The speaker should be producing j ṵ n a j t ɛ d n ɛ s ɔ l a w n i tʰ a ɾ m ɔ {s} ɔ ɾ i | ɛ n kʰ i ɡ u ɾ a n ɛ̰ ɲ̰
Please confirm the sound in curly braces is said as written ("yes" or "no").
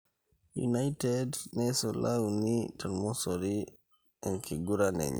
yes